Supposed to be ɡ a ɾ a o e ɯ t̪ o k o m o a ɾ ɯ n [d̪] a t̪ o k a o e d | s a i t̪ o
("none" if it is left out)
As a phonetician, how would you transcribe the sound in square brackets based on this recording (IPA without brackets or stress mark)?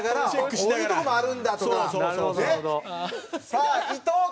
d̪